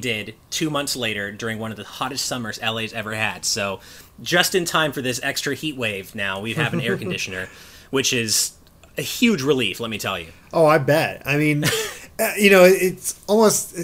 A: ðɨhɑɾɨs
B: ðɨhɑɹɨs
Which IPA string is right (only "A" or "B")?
A